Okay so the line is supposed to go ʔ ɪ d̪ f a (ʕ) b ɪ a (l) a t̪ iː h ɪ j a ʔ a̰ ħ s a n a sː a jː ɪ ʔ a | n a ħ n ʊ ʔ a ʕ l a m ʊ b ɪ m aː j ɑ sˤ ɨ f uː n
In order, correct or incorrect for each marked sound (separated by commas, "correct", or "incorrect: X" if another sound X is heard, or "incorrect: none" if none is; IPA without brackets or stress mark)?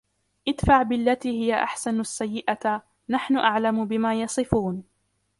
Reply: correct, incorrect: lː